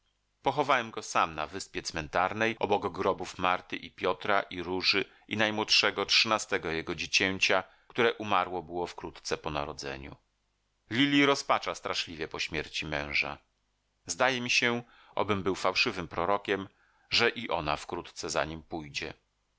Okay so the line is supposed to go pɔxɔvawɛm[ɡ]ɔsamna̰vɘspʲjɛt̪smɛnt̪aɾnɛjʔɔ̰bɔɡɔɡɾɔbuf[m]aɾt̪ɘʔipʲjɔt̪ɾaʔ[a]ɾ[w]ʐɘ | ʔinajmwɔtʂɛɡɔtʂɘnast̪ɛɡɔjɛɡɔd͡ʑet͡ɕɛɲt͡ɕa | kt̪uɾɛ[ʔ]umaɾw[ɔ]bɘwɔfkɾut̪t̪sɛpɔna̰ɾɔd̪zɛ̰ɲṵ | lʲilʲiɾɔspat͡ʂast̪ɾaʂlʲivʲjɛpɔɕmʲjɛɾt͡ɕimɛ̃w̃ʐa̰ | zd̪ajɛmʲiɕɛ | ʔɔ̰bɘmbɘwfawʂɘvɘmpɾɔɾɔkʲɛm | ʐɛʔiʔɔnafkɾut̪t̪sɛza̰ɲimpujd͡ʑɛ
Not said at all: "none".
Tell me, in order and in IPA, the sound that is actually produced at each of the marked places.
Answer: ɡ, m, i, u, ʔ, ɔ

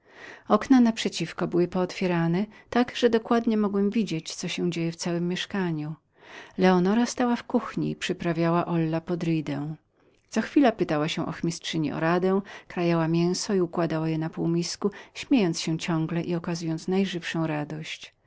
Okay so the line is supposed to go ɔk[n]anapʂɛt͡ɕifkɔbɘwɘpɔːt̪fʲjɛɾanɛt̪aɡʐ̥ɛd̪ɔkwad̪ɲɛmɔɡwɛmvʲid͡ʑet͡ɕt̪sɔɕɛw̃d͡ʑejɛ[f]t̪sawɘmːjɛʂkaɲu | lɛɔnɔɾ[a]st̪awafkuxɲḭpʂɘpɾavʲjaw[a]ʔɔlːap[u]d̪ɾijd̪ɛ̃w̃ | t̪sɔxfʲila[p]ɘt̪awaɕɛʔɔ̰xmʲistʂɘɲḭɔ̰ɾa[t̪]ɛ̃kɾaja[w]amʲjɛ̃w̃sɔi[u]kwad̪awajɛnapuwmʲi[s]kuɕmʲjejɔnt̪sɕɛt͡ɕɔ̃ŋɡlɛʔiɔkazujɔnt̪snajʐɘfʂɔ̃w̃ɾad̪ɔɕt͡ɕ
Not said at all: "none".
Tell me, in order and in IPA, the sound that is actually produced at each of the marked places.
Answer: n, f, a, a, ɔ, p, d̪, w, u, s

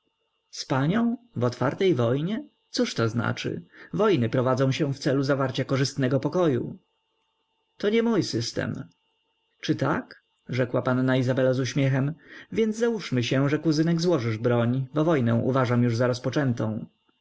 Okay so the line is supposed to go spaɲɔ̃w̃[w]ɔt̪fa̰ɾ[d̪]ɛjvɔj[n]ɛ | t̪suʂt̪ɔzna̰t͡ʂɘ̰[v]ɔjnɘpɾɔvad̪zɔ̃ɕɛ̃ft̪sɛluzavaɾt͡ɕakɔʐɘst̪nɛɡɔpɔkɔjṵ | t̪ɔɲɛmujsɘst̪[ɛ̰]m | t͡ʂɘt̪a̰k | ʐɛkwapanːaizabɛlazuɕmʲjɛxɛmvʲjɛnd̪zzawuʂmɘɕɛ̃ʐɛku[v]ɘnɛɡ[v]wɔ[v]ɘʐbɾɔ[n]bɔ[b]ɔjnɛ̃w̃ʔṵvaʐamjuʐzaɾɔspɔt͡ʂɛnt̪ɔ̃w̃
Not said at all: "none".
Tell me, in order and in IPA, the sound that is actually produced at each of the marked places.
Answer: v, t̪, ɲ, v, ɛ̰, z, z, ʐ, ɲ, v

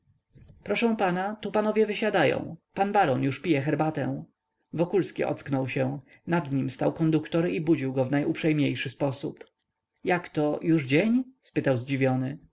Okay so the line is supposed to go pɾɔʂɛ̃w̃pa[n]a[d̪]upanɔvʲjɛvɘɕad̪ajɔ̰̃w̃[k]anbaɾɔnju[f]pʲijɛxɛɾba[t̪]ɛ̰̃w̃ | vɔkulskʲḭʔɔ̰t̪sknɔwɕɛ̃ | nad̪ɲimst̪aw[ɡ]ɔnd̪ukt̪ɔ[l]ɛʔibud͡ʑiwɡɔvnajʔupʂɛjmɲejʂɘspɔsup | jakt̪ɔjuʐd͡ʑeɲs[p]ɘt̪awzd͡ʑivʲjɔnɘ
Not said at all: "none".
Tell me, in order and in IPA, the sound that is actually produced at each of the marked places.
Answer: n, t̪, p, ʂ, t̪, k, ɾ, p

